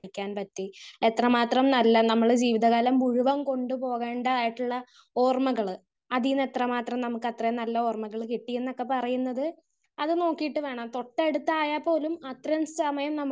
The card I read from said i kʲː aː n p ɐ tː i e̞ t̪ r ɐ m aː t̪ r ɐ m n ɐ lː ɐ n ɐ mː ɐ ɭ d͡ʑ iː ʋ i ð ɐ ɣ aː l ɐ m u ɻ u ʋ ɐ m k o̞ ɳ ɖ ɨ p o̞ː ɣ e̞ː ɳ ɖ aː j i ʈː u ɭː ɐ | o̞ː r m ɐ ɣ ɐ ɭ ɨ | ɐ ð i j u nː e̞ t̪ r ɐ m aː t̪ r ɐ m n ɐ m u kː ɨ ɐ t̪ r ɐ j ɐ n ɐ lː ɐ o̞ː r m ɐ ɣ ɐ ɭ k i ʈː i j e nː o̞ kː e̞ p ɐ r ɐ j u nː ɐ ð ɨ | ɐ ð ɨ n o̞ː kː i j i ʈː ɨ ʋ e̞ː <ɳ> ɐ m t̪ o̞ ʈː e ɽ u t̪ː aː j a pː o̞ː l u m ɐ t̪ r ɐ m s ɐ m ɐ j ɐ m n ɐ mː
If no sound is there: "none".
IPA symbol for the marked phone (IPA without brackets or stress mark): ɳ